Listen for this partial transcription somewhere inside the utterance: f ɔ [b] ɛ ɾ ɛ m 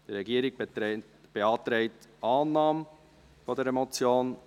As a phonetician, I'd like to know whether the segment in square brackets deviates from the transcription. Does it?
yes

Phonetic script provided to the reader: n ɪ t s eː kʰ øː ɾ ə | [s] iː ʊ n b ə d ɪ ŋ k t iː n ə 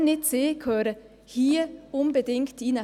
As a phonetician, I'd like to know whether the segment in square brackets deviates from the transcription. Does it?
yes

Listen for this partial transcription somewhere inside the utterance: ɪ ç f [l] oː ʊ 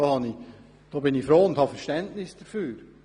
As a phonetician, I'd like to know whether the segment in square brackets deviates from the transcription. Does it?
yes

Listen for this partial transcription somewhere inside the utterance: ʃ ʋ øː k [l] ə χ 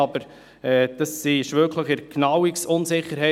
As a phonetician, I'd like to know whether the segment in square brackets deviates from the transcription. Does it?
no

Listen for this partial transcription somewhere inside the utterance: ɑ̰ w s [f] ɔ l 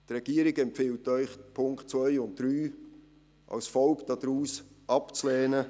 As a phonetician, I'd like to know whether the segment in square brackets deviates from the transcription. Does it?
no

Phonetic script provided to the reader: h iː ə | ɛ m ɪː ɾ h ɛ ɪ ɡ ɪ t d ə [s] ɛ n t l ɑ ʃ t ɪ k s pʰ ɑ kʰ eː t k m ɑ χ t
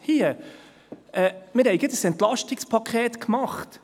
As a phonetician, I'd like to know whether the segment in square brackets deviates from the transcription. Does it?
no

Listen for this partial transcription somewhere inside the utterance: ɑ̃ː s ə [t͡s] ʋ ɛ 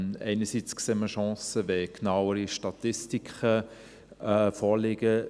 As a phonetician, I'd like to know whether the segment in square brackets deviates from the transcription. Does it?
yes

